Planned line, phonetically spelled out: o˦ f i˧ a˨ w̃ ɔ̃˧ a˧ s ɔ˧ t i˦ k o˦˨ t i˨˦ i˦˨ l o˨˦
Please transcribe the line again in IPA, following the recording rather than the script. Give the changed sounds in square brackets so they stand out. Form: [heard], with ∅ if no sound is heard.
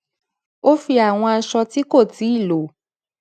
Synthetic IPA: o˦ f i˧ a˨ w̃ ɔ̃˧ a˧ [ʃ] ɔ˧ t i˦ k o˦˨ t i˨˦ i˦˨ l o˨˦